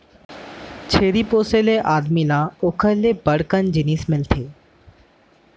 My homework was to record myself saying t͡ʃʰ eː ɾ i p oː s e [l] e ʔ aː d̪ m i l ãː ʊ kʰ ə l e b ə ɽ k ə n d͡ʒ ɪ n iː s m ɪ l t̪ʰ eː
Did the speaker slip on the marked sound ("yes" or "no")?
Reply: no